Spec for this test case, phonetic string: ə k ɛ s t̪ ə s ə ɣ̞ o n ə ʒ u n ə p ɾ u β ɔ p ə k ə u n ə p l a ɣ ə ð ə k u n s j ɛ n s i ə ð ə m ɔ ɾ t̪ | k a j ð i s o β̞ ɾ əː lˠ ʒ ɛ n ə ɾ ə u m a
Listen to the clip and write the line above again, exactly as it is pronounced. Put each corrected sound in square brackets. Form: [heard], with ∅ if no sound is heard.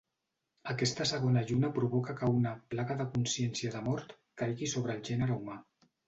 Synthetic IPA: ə k ɛ s t̪ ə s ə ɣ̞ o n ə ʒ u n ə p ɾ u β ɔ [k] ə k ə u n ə p l a ɣ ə ð ə k u n s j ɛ n s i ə ð ə m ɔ ɾ t̪ | k a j [ɣ] i s o β̞ ɾ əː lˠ ʒ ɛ n ə ɾ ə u m a